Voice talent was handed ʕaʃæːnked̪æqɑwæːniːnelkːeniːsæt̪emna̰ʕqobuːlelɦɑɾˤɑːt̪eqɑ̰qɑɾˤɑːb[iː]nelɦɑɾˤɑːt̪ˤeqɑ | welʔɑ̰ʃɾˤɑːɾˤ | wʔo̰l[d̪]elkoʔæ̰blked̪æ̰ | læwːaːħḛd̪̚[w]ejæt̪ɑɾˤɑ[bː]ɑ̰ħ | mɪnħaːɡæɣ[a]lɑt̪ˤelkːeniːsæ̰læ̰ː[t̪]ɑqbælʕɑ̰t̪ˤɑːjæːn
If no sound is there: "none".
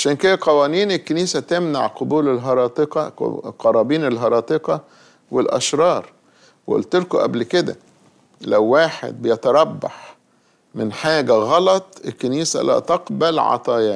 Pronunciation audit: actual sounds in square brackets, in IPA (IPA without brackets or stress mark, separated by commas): iː, t̪, b, bː, ɑ, t̪